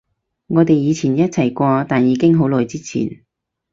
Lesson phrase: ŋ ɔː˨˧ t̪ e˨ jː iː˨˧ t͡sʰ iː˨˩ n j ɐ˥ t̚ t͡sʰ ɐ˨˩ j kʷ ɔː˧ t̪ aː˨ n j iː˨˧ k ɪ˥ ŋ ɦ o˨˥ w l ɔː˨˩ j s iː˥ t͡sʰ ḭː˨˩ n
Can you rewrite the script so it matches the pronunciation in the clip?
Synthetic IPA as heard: ŋ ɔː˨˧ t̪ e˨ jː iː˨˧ t͡sʰ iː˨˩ n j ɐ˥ t̚ t͡sʰ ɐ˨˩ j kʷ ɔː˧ t̪ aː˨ n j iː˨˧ k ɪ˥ ŋ ɦ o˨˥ w l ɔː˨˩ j t͡s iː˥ t͡sʰ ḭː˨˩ n